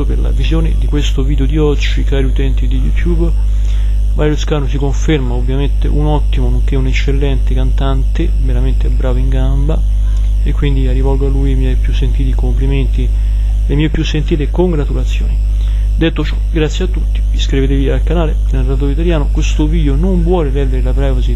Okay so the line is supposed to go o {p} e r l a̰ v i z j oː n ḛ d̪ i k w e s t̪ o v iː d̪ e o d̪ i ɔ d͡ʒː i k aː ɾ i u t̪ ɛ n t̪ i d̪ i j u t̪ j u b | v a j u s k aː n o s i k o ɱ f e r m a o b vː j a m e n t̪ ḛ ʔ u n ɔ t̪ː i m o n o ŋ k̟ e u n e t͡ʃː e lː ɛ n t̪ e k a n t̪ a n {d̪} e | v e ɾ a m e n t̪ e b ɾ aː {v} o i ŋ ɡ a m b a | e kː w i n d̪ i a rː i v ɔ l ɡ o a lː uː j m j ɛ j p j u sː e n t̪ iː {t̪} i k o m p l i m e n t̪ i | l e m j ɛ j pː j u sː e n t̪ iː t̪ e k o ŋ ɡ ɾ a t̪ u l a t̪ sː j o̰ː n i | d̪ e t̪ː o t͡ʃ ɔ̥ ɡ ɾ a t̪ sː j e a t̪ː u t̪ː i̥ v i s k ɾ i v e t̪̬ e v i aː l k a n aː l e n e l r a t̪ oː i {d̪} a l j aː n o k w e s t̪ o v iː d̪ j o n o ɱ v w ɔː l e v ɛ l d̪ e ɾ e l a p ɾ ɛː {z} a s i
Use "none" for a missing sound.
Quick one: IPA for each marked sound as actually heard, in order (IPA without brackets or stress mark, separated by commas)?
p, t̪, v, t̪, t̪, v